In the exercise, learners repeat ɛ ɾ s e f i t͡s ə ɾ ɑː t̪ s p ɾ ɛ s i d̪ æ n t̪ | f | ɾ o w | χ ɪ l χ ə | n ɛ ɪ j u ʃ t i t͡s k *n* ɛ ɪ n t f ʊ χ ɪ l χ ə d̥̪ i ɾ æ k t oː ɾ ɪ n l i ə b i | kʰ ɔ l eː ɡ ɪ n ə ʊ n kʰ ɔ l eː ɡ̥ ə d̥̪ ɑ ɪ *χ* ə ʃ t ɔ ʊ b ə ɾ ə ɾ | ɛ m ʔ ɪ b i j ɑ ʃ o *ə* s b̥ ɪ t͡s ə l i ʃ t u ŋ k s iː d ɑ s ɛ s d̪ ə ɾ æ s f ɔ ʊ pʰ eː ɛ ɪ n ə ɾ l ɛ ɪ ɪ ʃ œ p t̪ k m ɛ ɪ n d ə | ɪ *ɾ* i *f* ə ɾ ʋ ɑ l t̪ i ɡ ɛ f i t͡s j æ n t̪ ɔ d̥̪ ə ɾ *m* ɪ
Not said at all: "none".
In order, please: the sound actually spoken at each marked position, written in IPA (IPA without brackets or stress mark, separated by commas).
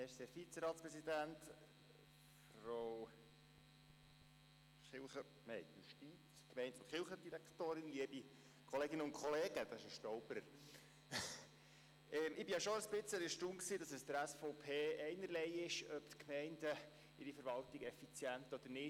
m, ʃ, ə, ɾ, f, n